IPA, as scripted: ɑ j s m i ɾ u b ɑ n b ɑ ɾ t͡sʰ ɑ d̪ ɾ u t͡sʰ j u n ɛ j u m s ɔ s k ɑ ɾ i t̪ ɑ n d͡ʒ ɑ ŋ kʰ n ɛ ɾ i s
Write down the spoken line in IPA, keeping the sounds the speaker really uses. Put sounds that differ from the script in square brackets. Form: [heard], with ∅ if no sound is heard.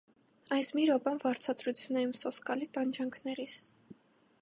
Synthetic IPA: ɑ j s m i ɾ [ɔ] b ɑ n [v] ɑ ɾ t͡sʰ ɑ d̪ ɾ u t͡sʰ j u n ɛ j u m s ɔ s k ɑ [l] i t̪ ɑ n d͡ʒ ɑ ŋ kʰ n ɛ ɾ i s

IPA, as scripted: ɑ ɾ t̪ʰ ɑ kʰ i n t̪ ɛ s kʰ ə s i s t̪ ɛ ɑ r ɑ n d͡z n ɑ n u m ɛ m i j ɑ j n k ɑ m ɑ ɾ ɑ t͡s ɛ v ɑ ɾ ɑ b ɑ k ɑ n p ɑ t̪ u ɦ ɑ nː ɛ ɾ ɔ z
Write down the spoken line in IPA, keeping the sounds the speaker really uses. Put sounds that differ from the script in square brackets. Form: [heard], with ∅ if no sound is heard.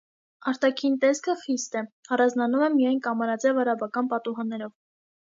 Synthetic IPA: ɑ ɾ [t̪] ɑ kʰ i n t̪ ɛ s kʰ ə [χ] i s t̪ ɛ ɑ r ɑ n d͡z n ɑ n u m ɛ m i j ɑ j n k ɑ m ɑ ɾ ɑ t͡s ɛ v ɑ ɾ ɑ b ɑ k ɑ n p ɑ t̪ u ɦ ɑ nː ɛ ɾ ɔ [v]

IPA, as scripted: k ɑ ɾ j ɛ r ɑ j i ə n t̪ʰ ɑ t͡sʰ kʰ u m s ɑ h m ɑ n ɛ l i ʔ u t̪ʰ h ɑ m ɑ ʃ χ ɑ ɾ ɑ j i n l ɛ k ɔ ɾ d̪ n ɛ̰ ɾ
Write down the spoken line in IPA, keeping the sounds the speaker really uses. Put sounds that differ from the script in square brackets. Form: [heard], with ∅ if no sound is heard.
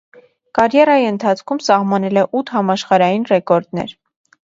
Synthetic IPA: k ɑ ɾ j ɛ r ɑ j i ə n t̪ʰ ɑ t͡sʰ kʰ u m s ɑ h m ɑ n ɛ l [ɛ] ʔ u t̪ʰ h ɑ m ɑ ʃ χ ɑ ɾ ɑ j i n [r] ɛ k ɔ ɾ d̪ n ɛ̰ ɾ

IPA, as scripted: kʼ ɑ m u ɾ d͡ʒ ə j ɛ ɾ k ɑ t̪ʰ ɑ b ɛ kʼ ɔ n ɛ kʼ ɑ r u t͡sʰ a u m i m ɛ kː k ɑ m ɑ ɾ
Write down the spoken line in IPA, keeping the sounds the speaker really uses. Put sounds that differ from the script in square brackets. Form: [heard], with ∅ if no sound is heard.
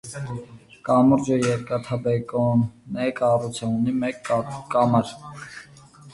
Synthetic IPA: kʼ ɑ m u ɾ d͡ʒ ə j ɛ ɾ k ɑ t̪ʰ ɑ b ɛ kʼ ɔ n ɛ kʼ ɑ r u t͡sʰ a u [n] i m ɛ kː k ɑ m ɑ ɾ

